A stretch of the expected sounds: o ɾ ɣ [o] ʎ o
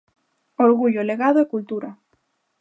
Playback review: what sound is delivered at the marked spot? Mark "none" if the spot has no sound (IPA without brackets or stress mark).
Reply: u